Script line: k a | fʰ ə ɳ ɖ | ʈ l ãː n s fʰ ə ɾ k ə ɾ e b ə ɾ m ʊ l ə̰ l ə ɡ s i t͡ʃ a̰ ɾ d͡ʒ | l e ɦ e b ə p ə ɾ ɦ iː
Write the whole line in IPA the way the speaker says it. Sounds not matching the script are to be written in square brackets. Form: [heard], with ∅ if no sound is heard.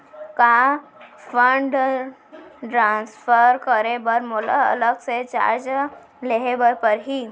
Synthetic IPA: k a | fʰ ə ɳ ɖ | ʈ [ɾ] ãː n s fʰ ə ɾ k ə ɾ e b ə ɾ m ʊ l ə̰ l ə ɡ s [e] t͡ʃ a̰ ɾ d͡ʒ | l e ɦ e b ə p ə ɾ ɦ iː